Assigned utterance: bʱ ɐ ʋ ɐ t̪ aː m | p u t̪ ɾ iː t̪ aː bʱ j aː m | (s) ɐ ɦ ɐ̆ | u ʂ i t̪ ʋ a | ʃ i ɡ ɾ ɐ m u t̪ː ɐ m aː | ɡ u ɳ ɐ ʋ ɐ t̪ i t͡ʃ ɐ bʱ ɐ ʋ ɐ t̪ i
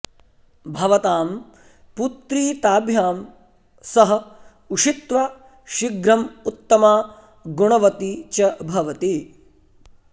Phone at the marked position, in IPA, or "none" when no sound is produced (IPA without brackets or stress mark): s